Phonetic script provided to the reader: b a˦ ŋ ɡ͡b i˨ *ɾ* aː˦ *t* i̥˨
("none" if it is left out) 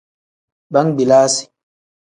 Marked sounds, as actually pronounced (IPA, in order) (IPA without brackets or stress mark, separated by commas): l, s